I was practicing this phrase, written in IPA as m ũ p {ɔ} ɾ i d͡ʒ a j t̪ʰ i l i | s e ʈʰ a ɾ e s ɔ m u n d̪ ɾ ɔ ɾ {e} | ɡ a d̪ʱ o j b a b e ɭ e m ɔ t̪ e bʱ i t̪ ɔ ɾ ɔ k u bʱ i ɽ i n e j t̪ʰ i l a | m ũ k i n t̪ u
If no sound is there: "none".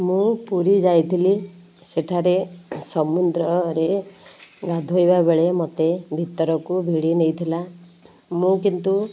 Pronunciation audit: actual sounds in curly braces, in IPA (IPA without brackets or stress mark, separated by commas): u, e